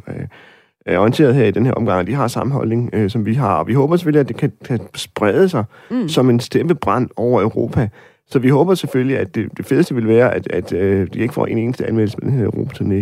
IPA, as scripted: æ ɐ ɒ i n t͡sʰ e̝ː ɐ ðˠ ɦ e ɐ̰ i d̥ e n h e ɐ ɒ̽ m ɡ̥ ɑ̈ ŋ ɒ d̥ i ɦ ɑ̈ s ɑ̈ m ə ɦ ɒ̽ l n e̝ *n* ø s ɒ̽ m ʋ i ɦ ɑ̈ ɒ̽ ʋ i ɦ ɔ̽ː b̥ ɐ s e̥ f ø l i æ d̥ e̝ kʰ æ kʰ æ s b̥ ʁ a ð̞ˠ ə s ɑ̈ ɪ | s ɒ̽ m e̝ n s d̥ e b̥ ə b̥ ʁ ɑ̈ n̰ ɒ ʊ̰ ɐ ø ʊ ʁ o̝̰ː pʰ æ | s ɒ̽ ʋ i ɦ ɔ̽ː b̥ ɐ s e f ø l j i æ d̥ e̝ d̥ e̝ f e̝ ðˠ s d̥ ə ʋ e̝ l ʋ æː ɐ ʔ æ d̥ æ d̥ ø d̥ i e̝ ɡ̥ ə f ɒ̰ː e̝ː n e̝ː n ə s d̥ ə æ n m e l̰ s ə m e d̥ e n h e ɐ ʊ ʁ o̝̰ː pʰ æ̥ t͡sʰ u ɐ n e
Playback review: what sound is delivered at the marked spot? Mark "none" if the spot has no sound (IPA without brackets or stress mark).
ŋ